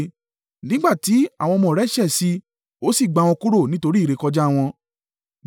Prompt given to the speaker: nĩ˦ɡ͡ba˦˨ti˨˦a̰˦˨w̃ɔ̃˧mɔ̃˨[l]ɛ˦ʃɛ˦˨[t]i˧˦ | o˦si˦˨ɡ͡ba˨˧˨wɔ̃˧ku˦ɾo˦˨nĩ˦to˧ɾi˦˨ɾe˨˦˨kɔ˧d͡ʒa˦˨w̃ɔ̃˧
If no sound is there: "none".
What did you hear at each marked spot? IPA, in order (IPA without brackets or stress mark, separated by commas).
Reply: ɾ, s